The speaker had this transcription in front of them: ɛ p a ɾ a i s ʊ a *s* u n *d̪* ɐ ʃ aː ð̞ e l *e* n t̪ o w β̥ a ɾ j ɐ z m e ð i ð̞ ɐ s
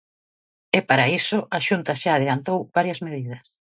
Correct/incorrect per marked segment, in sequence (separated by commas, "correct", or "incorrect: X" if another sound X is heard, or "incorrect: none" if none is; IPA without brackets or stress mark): incorrect: ʃ, incorrect: t̪, incorrect: a